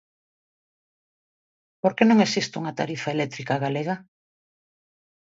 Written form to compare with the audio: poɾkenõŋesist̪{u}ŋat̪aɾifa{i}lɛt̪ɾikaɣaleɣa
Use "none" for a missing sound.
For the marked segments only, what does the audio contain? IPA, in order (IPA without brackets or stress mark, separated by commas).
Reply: u, e